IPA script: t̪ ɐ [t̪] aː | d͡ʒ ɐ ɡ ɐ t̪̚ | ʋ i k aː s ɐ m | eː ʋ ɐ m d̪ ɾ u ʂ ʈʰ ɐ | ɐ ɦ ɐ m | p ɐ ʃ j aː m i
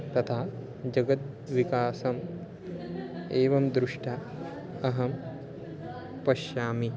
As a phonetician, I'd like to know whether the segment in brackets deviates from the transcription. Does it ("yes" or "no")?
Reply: yes